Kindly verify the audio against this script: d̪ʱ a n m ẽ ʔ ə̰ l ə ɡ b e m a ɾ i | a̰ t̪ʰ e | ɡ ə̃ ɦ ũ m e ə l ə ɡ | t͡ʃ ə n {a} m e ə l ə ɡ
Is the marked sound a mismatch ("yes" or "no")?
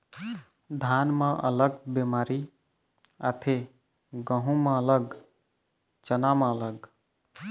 no